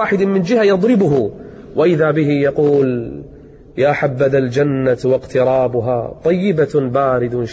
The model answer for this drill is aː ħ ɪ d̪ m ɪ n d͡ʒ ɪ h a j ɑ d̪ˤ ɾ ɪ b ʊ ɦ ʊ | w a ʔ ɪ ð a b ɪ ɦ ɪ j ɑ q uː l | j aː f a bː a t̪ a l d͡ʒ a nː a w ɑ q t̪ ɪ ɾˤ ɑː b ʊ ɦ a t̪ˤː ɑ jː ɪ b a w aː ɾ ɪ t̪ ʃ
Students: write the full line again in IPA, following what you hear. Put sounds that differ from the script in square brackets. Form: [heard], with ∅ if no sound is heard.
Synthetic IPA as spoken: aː ħ ɪ d̪ m ɪ n d͡ʒ ɪ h a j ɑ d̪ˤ ɾ ɪ b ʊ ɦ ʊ | w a ʔ ɪ ð a b ɪ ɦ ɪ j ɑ q uː l | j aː [ħ] a bː a [d̪] a l d͡ʒ a nː a w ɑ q t̪ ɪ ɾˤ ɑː b ʊ ɦ a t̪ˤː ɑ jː ɪ b a [b] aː ɾ ɪ [d̪] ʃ